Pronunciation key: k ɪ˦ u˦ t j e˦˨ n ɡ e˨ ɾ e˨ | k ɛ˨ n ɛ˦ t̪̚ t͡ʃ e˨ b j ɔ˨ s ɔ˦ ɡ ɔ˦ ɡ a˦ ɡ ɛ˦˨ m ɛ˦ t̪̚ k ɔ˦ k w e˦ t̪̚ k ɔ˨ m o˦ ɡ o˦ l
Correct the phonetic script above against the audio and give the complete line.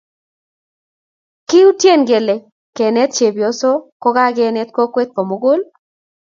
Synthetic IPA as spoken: k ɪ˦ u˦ t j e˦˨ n ɡ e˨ l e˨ | k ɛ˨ n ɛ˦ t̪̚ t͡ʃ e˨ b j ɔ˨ s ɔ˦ k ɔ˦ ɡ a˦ ɡ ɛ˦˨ n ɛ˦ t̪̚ k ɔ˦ k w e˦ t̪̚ k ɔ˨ m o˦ ɡ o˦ l